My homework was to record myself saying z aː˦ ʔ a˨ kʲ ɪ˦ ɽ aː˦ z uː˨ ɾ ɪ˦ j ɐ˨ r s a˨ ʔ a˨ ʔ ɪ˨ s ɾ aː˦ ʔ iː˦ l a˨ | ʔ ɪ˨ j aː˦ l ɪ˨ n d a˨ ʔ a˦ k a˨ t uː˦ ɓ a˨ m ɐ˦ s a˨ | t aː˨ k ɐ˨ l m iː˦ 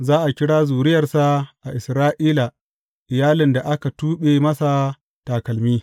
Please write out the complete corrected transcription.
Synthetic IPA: z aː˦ ʔ a˨ kʲ ɪ˦ ɽ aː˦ z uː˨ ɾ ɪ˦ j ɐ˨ r s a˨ ʔ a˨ ʔ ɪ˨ s ɾ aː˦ ʔ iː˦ l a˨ | ʔ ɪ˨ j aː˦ l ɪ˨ n d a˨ ʔ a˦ k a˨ t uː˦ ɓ e˨ m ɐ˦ s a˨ | t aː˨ k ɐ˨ l m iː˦